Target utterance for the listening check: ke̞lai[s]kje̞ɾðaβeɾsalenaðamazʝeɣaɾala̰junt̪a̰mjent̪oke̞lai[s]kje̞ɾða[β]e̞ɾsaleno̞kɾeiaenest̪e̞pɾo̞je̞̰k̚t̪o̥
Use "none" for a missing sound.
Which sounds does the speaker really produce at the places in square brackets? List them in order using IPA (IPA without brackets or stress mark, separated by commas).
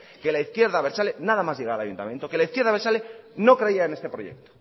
θ, θ, β